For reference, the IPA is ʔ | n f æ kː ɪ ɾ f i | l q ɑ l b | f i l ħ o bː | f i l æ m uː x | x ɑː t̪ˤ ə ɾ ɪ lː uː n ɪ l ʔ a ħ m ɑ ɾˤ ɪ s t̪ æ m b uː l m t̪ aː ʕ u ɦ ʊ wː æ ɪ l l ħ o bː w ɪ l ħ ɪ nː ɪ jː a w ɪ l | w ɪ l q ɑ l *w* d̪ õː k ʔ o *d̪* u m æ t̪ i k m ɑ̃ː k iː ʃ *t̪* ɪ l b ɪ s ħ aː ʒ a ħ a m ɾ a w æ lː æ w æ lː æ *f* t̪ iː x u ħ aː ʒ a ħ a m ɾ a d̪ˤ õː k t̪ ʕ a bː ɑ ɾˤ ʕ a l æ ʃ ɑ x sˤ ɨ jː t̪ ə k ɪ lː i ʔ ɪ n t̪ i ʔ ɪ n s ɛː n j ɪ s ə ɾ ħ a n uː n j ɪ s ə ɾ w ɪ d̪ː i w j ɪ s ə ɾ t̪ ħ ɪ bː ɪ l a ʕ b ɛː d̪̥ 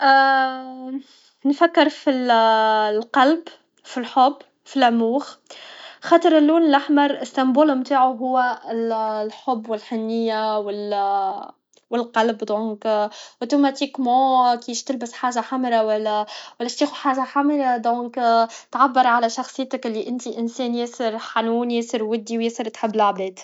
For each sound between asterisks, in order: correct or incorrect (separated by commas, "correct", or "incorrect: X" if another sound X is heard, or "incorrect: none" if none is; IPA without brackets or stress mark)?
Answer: incorrect: b, incorrect: t̪, correct, incorrect: ʃ